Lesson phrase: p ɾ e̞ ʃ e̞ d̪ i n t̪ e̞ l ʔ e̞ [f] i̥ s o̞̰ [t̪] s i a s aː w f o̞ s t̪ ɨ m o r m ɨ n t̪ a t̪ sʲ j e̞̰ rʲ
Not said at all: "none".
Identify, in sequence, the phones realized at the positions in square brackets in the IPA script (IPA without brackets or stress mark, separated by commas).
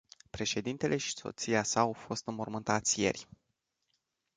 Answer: ʃ, t̪